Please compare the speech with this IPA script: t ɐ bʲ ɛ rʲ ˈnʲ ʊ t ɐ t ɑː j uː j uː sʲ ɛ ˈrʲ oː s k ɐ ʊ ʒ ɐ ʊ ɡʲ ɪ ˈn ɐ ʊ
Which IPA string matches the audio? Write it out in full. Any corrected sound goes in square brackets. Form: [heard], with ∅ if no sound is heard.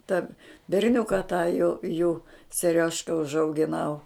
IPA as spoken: t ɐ bʲ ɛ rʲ ˈnʲ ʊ [k] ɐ t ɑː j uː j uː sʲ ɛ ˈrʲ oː [ʃ] k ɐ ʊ ʒ ɐ ʊ ɡʲ ɪ ˈn ɐ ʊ

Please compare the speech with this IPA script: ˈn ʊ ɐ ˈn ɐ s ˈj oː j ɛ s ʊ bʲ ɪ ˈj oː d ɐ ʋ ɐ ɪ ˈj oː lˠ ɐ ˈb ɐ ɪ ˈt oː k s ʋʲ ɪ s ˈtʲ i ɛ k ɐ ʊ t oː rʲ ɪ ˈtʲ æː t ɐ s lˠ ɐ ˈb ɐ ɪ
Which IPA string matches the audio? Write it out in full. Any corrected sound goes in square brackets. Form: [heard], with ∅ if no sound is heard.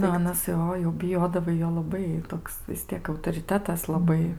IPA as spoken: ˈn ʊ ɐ ˈn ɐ s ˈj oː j ɛ [∅] ʊ bʲ ɪ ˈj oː d ɐ ʋ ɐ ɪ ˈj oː lˠ ɐ ˈb ɐ ɪ ˈt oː k s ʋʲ ɪ s ˈtʲ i ɛ k ɐ ʊ t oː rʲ ɪ ˈtʲ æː t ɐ s lˠ ɐ ˈb ɐ ɪ

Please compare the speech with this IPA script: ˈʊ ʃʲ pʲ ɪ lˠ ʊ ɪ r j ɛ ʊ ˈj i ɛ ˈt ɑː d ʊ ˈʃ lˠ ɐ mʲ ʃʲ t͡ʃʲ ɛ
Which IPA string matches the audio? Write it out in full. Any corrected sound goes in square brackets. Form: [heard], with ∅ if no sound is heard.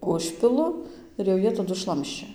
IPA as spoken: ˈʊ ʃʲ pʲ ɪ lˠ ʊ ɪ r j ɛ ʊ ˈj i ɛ ˈt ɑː d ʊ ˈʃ lˠ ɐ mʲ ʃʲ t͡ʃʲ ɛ

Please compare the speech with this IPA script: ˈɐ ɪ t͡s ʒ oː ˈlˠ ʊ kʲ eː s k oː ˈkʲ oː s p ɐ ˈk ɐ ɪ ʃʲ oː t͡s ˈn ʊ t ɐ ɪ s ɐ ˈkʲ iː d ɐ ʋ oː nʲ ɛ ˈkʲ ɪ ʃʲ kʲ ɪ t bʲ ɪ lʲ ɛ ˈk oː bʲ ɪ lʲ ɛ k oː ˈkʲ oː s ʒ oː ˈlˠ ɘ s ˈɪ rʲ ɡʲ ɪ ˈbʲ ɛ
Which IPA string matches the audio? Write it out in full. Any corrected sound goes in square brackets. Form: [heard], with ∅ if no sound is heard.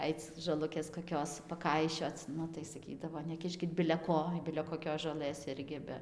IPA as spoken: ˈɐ ɪ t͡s ʒ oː ˈlˠ ʊ kʲ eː s k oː ˈkʲ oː s p ɐ ˈk ɐ ɪ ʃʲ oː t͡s ˈn ʊ t ɐ ɪ s ɐ ˈkʲ iː d ɐ ʋ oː nʲ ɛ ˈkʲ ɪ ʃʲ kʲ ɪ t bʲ ɪ lʲ ɛ ˈk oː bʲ ɪ lʲ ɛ k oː ˈkʲ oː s ʒ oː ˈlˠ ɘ s ˈɪ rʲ ɡʲ ɪ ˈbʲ ɛ

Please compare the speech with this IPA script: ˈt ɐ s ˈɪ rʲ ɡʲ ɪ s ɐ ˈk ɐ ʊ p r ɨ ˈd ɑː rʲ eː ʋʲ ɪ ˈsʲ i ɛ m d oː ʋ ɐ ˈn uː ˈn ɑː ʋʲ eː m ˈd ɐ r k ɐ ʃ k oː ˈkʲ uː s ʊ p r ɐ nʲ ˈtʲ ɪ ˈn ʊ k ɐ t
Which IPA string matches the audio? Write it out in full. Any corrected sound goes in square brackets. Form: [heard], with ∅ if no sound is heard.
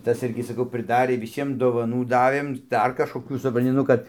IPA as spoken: ˈt ɐ s ˈɪ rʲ ɡʲ ɪ s ɐ ˈk ɐ ʊ p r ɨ ˈd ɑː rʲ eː ʋʲ ɪ ˈsʲ i ɛ m d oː ʋ ɐ ˈn uː [ˈd] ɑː ʋʲ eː m ˈd ɐ r k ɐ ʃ k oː ˈkʲ uː s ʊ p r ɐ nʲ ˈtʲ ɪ ˈn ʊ k ɐ t

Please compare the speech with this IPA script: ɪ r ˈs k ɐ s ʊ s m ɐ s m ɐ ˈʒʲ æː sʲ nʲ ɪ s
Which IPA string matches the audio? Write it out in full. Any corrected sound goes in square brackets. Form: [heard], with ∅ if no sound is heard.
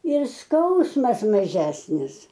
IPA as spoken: ɪ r ˈs k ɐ [∅] ʊ s m ɐ s m ɐ ˈʒʲ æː sʲ nʲ ɪ s

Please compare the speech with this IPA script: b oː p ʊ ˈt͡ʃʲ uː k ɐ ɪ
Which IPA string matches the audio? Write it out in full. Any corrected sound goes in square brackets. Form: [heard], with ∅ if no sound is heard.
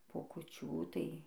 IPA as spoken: [p] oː [k] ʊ ˈt͡ʃʲ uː [t] ɐ ɪ

